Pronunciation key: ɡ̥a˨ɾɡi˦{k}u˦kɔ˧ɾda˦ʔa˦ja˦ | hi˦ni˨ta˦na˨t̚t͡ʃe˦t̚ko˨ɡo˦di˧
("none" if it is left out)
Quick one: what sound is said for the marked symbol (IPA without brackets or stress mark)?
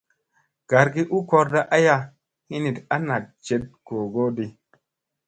ʔ